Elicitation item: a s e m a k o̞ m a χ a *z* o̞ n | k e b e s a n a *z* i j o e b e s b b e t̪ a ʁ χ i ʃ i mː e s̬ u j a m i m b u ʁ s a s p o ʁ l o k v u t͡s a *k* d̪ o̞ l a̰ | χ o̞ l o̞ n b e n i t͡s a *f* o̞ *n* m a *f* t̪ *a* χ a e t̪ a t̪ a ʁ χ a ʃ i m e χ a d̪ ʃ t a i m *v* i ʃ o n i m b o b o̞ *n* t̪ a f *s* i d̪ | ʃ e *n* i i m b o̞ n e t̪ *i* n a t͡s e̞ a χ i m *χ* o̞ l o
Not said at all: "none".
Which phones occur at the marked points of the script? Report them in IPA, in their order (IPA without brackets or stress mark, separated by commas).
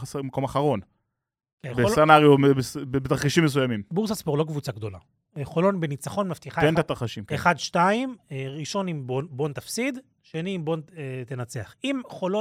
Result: ʁ, ʁ, ɡ, χ, n, f, i, ʁ, n, s, n, e, χ